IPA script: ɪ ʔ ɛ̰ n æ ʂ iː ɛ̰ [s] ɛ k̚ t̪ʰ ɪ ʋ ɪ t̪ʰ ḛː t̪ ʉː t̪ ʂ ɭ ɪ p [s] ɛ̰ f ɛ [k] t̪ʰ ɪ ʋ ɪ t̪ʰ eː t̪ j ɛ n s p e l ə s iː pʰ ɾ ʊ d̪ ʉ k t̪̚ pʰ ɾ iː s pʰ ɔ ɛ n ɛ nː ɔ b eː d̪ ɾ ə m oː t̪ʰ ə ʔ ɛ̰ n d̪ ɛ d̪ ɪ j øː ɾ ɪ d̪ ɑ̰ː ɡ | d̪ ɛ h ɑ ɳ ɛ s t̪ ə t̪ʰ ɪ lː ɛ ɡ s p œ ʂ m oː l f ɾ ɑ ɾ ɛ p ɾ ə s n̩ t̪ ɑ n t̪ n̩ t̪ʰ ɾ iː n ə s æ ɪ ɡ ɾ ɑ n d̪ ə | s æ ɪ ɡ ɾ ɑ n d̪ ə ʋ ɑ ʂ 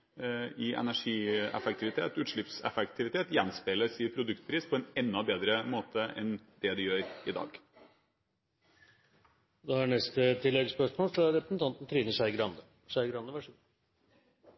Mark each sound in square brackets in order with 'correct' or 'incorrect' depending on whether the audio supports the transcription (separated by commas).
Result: incorrect, correct, correct